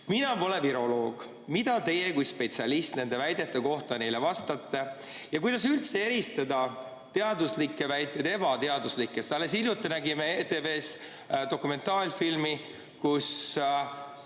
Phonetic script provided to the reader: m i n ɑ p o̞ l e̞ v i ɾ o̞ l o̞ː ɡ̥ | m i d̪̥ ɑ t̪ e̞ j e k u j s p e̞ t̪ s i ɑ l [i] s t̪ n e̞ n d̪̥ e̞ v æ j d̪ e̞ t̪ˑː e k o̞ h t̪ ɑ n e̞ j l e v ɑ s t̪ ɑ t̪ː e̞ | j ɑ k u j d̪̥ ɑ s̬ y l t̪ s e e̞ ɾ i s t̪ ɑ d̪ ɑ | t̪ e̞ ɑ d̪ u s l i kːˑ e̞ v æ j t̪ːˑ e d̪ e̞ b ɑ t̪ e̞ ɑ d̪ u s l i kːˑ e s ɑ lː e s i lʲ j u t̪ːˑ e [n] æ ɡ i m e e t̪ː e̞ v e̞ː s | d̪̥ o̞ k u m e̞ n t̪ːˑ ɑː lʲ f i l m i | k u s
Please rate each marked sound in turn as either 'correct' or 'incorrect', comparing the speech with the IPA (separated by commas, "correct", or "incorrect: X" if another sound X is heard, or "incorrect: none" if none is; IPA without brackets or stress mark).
correct, correct